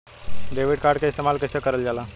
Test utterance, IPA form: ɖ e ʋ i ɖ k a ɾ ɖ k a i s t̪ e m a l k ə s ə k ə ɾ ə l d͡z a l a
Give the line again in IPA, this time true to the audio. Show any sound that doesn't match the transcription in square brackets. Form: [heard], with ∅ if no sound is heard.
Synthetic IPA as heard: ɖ e ʋ i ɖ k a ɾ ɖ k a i s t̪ e m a l k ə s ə k ə ɾ ə l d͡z a l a

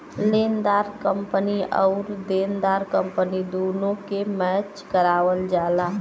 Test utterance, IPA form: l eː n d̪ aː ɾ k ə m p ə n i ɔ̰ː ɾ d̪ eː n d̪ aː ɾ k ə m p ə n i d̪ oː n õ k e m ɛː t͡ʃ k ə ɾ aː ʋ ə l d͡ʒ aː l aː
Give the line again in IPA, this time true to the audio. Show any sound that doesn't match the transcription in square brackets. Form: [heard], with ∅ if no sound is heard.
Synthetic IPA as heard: l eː n d̪ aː ɾ k ə m p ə n i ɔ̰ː ɾ d̪ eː n d̪ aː ɾ k ə m p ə n i d̪ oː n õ k e m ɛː t͡ʃ k ə ɾ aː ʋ ə l d͡ʒ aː l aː

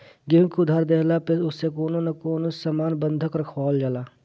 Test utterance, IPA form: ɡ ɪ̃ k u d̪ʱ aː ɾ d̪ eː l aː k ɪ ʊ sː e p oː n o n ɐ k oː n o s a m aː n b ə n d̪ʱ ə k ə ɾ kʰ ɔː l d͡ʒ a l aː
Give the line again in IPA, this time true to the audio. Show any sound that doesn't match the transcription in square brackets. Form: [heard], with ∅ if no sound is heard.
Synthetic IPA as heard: ɡ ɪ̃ k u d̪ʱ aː ɾ d̪ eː l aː [p] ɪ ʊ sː e [k] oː n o n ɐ k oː n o s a m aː n b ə n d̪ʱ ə k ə ɾ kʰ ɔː l d͡ʒ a l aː

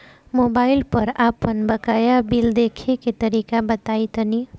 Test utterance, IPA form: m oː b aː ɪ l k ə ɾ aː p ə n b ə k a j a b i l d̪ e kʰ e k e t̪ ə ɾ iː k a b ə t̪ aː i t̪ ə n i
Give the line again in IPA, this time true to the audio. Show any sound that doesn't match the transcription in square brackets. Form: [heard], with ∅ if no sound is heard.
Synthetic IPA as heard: m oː b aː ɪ l [p] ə ɾ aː p ə n b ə k a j a b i l d̪ e kʰ e k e t̪ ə ɾ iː k a b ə t̪ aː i t̪ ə n i

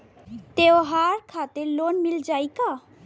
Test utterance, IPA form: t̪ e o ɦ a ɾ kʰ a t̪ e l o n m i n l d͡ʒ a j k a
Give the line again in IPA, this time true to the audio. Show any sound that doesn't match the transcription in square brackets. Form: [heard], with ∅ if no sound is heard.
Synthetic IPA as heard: t̪ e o ɦ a ɾ kʰ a t̪ e l o n m i [∅] l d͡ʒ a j k a

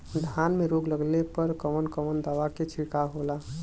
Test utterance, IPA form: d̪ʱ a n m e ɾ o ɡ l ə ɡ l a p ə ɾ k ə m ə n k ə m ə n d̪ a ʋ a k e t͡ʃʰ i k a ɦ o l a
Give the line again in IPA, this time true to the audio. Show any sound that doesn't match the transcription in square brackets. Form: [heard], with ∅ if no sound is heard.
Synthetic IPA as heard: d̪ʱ a n m e ɾ o ɡ l ə ɡ l [e] p ə ɾ k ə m ə n k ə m ə n d̪ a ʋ a k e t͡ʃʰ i k a ɦ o l a

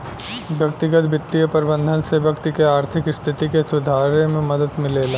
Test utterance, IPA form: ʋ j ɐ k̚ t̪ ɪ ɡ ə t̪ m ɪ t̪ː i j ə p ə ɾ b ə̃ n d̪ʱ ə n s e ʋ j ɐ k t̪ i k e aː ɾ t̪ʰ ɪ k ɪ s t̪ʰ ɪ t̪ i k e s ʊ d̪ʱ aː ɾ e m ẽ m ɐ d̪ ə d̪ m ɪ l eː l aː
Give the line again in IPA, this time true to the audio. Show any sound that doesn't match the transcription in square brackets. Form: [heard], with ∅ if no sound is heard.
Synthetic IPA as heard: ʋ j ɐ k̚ t̪ ɪ ɡ ə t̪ [b] ɪ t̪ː i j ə p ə ɾ b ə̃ n d̪ʱ ə n s e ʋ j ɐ k t̪ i k e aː ɾ t̪ʰ ɪ k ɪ s t̪ʰ ɪ t̪ i k e s ʊ d̪ʱ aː ɾ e m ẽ m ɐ d̪ ə d̪ m ɪ l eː l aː

